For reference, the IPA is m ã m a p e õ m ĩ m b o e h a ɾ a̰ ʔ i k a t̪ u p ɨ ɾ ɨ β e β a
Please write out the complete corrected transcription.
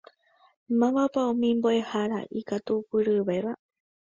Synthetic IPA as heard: m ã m a p a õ m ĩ m b o e h a ɾ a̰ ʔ i k a t̪ u p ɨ ɾ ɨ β e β a